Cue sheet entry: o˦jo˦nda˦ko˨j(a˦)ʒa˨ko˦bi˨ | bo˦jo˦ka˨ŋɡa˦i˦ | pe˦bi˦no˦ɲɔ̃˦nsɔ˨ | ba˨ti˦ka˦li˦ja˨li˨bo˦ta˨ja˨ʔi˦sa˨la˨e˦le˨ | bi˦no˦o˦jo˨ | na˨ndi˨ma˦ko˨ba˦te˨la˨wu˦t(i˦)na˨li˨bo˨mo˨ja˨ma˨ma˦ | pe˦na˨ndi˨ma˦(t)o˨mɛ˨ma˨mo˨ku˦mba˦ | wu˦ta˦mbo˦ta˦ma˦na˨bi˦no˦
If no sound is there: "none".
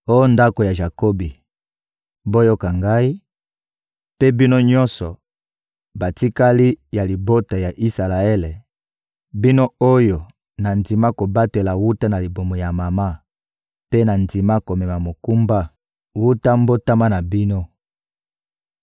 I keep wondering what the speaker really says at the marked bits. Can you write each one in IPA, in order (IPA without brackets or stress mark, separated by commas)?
a˨, a˦, k